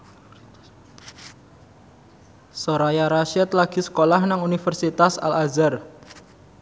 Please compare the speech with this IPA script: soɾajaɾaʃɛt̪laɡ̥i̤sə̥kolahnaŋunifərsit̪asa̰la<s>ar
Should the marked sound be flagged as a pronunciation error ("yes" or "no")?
yes